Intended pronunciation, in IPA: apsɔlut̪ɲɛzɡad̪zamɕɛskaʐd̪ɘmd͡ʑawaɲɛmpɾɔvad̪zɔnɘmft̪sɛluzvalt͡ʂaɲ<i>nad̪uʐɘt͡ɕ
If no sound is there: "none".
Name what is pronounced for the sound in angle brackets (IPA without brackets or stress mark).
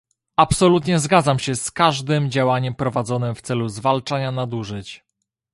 a